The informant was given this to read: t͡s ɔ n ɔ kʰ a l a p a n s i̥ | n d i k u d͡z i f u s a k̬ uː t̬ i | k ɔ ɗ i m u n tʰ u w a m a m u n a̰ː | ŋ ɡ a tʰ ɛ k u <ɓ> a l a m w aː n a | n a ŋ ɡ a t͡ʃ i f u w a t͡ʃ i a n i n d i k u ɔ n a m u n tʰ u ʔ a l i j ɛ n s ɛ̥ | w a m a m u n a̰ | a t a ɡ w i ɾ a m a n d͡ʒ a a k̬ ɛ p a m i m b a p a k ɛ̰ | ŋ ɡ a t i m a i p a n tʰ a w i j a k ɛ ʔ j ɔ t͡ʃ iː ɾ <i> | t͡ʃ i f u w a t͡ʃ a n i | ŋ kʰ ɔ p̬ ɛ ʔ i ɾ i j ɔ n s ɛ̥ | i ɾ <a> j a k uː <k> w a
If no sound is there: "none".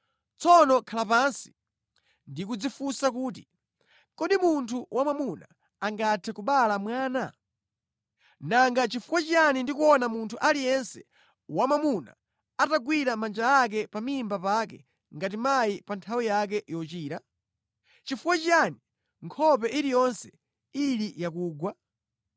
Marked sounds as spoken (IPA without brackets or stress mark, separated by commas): ɓ, a, i, ɡ